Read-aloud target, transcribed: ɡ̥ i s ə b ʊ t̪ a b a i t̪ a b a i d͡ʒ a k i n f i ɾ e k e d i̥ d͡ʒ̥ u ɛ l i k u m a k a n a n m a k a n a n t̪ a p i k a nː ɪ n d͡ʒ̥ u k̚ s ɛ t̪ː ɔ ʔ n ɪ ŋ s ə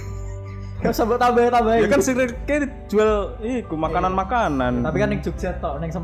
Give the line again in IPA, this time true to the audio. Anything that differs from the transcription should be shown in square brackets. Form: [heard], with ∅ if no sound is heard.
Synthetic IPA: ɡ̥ [a] s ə b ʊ t̪ a b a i t̪ a b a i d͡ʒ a k [a] n [s] i ɾ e k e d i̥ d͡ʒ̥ u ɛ l i k u m a k a n a n m a k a n a n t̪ a p i k a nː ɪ [ŋ] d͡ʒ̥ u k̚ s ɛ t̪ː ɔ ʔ n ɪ ŋ s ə